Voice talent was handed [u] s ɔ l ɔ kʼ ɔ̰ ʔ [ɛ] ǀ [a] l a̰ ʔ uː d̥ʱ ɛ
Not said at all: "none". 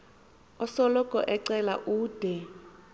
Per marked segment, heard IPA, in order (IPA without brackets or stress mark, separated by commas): ɔ, ɛ, ɛ